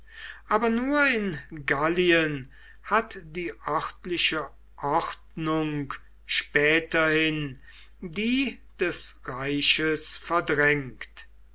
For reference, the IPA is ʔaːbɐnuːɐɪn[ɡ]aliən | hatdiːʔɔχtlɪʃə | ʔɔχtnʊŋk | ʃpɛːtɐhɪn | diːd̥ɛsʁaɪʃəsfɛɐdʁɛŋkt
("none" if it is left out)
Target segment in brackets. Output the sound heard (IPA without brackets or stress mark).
ɡ